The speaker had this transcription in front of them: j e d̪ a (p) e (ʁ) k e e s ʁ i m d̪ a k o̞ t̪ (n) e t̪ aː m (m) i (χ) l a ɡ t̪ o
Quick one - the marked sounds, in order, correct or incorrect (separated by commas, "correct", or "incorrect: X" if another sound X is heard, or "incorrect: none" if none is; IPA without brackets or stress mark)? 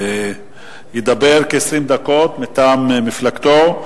incorrect: b, correct, incorrect: m, correct, incorrect: f